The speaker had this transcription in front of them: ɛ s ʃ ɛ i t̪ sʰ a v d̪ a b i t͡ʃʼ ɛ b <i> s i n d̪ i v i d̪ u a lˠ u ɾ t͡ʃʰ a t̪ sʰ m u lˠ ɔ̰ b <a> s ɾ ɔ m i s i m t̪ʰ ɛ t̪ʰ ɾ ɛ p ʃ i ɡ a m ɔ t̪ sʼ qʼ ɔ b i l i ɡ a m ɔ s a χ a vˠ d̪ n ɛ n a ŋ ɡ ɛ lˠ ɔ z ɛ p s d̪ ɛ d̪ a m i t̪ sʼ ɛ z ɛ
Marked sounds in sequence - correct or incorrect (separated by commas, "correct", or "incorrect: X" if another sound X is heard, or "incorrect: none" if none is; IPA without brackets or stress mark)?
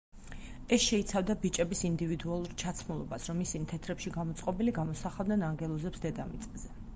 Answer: correct, correct